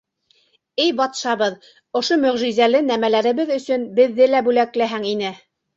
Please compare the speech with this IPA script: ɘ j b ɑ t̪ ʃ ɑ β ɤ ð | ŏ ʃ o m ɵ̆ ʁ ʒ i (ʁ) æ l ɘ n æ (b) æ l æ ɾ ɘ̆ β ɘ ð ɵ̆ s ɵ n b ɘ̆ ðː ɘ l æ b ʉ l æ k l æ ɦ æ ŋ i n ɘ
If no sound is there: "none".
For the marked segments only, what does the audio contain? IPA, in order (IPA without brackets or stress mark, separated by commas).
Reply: z, m